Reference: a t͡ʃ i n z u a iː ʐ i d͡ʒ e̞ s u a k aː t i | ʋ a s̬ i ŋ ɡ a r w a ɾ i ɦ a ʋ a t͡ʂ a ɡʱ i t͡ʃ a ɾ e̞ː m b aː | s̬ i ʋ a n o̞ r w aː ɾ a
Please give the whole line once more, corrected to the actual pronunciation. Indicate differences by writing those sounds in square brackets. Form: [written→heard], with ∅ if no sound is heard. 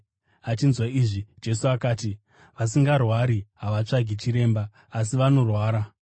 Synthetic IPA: a t͡ʃ i n z [u→w] a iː ʐ i d͡ʒ e̞ s u a k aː t i | ʋ a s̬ i ŋ ɡ a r w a ɾ i ɦ a ʋ a t͡ʂ a ɡʱ i t͡ʃ [a→i] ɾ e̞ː m b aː | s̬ i ʋ a n o̞ r w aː ɾ a